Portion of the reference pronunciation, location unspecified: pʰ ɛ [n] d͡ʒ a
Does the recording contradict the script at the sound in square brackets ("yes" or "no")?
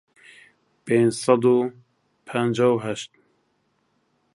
no